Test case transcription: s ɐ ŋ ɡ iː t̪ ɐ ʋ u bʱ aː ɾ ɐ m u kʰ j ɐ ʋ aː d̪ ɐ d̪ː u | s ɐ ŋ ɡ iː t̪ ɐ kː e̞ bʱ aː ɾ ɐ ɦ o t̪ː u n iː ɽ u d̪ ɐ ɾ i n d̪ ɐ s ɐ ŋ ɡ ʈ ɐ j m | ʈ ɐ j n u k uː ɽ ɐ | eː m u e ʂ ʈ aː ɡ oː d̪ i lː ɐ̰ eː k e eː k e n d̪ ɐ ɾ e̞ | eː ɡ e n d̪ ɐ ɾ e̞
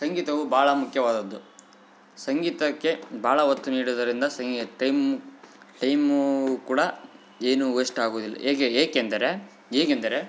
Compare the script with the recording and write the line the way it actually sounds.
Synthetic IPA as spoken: s ɐ ŋ ɡ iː t̪ ɐ ʋ u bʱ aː ɭ ɐ m u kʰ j ɐ ʋ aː d̪ ɐ d̪ː u | s ɐ ŋ ɡ iː t̪ ɐ kː e̞ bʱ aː ɭ ɐ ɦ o t̪ː u n iː ɽ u d̪ ɐ ɾ i n d̪ ɐ s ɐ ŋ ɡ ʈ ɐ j m | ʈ ɐ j m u k uː ɽ ɐ | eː n u e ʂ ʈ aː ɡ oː d̪ i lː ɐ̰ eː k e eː k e n d̪ ɐ ɾ e̞ | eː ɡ e n d̪ ɐ ɾ e̞